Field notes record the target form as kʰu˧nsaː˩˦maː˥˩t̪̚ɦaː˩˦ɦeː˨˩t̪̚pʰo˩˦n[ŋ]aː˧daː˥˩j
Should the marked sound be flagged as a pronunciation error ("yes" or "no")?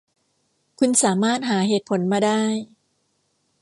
yes